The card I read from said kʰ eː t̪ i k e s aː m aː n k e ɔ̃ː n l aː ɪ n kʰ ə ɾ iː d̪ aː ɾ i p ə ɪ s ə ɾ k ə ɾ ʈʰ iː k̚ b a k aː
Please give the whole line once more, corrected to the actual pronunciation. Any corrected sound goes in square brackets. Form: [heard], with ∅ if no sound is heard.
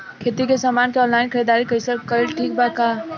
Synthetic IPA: kʰ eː t̪ i k e s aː m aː n k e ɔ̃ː n l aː ɪ n kʰ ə ɾ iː d̪ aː ɾ i [k] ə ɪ s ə ɾ k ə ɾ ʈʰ iː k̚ b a k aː